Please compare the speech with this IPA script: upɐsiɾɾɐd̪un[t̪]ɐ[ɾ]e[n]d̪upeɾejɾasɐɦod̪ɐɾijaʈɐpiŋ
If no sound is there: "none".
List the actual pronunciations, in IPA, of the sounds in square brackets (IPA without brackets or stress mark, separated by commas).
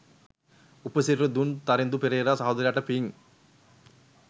t̪, ɾ, n